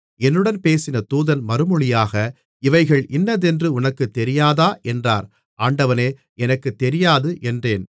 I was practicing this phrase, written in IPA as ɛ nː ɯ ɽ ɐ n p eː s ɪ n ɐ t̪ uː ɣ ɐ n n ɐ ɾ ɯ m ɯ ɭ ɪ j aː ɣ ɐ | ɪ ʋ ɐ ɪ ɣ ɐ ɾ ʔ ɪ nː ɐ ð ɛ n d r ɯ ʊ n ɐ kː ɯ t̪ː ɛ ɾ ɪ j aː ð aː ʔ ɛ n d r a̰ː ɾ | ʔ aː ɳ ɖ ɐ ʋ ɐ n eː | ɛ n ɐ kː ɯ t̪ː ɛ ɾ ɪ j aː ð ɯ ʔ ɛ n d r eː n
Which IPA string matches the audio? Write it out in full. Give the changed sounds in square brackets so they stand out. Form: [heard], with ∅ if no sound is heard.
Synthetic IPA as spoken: ɛ nː ɯ ɽ ɐ n p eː s ɪ n ɐ t̪ uː [ð] ɐ n [m] ɐ ɾ ɯ m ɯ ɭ ɪ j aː ɣ ɐ | ɪ ʋ ɐ ɪ ɣ ɐ [ɭ] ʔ ɪ nː ɐ ð ɛ n d r ɯ ʊ n ɐ kː ɯ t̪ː ɛ ɾ ɪ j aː ð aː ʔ ɛ n d r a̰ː ɾ | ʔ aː ɳ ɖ ɐ ʋ ɐ n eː | ɛ n ɐ kː ɯ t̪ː ɛ ɾ ɪ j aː ð ɯ ʔ ɛ n d r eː n

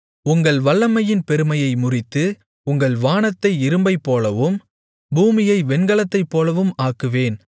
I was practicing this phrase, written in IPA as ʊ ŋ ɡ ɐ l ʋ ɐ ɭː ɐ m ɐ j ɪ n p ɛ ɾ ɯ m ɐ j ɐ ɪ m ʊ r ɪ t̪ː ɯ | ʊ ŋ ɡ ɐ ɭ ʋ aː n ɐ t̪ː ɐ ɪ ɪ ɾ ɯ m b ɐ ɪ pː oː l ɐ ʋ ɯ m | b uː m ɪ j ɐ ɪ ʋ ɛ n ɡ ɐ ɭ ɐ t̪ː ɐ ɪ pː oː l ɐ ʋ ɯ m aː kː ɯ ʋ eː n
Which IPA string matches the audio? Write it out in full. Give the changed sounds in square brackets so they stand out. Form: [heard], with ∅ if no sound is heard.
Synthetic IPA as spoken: ʊ ŋ ɡ ɐ [ɭ] ʋ ɐ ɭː ɐ m ɐ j ɪ n p ɛ ɾ ɯ m ɐ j ɐ ɪ m ʊ r ɪ t̪ː ɯ | ʊ ŋ ɡ ɐ ɭ ʋ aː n ɐ t̪ː ɐ ɪ ɪ ɾ ɯ m b ɐ ɪ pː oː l ɐ ʋ ɯ m | b uː m ɪ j ɐ ɪ ʋ ɛ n ɡ ɐ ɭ ɐ t̪ː ɐ ɪ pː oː l ɐ ʋ ɯ m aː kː ɯ ʋ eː n

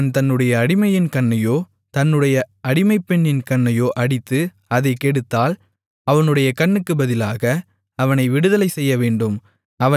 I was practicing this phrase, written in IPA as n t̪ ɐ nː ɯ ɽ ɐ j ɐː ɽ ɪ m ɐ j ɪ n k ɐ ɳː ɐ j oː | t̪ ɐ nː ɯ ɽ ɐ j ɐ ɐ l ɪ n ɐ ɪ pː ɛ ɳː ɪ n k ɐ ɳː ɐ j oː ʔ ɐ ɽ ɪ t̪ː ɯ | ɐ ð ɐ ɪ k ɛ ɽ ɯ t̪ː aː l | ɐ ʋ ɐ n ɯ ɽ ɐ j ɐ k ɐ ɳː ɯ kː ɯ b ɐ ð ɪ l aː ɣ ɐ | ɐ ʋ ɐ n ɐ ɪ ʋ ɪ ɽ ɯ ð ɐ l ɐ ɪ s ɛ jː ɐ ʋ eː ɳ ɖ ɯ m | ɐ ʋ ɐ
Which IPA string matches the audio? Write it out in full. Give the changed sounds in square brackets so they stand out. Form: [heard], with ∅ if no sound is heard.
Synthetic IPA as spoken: n t̪ ɐ nː ɯ ɽ ɐ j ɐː ɽ ɪ m ɐ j ɪ n k ɐ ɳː ɐ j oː | t̪ ɐ nː ɯ ɽ ɐ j ɐ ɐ [ɽ] ɪ [m] ɐ ɪ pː ɛ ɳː ɪ n k ɐ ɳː ɐ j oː ʔ ɐ ɽ ɪ t̪ː ɯ | ɐ ð ɐ ɪ k ɛ ɽ ɯ t̪ː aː l | ɐ ʋ ɐ n ɯ ɽ ɐ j ɐ k ɐ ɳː ɯ kː ɯ b ɐ ð ɪ l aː ɣ ɐ | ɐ ʋ ɐ n ɐ ɪ ʋ ɪ ɽ ɯ ð ɐ l ɐ ɪ s ɛ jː ɐ ʋ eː ɳ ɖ ɯ m | ɐ ʋ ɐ

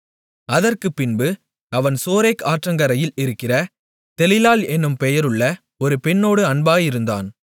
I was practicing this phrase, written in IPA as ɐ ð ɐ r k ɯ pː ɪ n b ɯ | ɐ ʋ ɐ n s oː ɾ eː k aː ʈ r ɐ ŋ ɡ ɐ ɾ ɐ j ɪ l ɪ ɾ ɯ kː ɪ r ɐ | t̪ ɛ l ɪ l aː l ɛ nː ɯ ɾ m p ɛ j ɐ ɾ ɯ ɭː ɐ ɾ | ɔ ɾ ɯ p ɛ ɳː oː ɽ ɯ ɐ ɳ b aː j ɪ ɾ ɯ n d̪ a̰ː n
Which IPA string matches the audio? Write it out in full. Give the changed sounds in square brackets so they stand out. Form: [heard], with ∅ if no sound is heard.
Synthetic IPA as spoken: ɐ ð ɐ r k ɯ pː ɪ n b ɯ | ɐ ʋ ɐ n s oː ɾ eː k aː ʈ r ɐ ŋ ɡ ɐ ɾ ɐ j ɪ l ɪ ɾ ɯ kː ɪ r ɐ | t̪ ɛ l ɪ l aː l ɛ nː ɯ [∅] m p ɛ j ɐ ɾ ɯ ɭː ɐ [∅] | ɔ ɾ ɯ p ɛ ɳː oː ɽ ɯ ɐ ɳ b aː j ɪ ɾ ɯ n d̪ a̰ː n

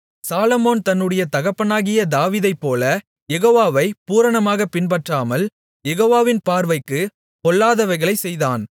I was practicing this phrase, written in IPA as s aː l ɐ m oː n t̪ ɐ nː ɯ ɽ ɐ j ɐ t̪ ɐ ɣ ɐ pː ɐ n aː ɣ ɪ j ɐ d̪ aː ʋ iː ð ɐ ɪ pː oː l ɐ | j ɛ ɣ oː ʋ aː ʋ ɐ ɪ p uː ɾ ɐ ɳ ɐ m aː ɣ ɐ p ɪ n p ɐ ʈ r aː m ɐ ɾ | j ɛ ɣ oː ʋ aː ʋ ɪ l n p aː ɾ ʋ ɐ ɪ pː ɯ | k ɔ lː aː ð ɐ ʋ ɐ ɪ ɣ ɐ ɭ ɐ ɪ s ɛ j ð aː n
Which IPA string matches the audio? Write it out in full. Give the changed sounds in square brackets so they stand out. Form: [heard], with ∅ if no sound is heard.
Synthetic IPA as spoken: s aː l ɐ m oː n t̪ ɐ nː ɯ ɽ ɐ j ɐ t̪ ɐ ɣ ɐ pː ɐ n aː ɣ ɪ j ɐ d̪ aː ʋ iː ð ɐ ɪ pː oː l ɐ | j ɛ ɣ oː ʋ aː ʋ ɐ ɪ p uː ɾ ɐ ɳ ɐ m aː ɣ ɐ p ɪ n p ɐ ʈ r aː m ɐ [l] | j ɛ ɣ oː ʋ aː ʋ ɪ [∅] n p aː ɾ ʋ ɐ ɪ [kː] ɯ | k ɔ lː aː ð ɐ ʋ ɐ ɪ ɣ ɐ ɭ ɐ ɪ s ɛ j ð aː n

